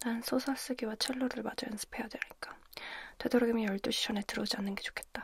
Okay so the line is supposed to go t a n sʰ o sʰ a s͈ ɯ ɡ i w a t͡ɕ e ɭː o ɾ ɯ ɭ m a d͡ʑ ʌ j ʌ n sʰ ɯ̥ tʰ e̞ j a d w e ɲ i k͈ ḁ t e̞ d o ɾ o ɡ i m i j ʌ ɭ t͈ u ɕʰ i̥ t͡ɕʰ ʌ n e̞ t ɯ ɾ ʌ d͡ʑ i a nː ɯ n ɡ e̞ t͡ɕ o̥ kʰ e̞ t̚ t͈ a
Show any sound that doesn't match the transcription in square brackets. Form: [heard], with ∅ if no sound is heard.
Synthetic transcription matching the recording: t a n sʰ o sʰ a s͈ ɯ ɡ i w a [t͡ɕʰ] e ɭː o ɾ ɯ ɭ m a d͡ʑ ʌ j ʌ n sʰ ɯ̥ [pʰ] e̞ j a d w e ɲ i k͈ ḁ t e̞ d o ɾ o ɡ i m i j ʌ ɭ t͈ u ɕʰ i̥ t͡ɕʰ ʌ n e̞ t ɯ ɾ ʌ d͡ʑ i a nː ɯ n ɡ e̞ t͡ɕ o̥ kʰ e̞ t̚ t͈ a